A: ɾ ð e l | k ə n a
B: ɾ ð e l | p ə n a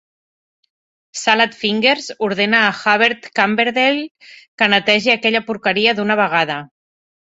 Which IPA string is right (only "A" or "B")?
A